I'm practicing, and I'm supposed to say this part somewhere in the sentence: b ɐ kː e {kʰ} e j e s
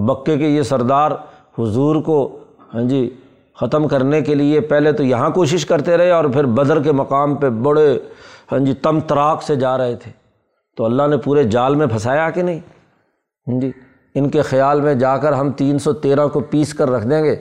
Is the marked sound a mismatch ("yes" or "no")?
yes